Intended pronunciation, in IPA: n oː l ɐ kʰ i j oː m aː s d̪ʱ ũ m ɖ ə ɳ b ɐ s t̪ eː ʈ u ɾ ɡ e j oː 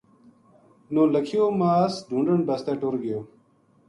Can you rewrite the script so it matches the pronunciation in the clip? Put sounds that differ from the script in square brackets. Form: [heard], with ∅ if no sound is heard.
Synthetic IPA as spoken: n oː l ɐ kʰ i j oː m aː s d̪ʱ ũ [ɳ] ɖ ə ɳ b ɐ s t̪ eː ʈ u ɾ ɡ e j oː